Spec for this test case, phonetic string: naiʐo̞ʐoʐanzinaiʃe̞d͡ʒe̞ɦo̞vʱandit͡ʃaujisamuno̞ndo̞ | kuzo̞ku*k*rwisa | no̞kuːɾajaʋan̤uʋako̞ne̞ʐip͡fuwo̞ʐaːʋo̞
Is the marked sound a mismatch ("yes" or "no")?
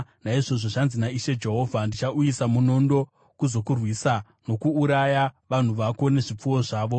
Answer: yes